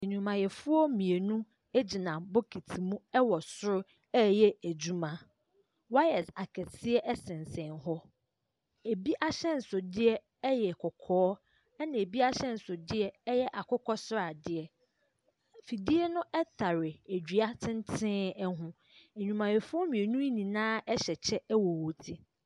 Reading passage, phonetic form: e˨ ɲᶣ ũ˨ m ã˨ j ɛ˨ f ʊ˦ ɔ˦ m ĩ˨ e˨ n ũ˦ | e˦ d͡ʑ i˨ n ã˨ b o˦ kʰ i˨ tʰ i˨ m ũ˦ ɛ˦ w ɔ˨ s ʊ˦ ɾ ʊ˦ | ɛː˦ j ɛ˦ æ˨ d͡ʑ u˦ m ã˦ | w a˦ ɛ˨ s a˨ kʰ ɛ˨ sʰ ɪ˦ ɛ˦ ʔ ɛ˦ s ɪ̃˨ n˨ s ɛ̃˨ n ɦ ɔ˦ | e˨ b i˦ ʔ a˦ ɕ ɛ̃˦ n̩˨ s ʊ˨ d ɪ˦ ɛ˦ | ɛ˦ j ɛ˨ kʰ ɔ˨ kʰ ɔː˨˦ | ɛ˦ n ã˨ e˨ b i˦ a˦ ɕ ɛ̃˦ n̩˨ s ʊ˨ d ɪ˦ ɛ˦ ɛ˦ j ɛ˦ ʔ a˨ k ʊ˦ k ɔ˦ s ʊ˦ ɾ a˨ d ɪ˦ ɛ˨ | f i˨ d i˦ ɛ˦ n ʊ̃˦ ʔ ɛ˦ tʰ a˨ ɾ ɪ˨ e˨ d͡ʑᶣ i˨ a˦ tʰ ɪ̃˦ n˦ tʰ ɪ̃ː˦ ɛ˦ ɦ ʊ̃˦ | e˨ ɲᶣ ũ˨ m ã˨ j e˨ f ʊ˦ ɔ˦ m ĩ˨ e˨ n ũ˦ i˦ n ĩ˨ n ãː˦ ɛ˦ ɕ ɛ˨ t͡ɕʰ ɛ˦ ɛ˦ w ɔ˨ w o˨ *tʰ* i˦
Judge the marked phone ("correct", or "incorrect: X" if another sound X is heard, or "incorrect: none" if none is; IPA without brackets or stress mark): correct